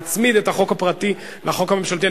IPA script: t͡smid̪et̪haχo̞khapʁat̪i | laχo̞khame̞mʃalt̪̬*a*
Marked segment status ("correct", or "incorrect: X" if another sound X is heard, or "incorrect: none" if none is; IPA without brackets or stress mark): incorrect: i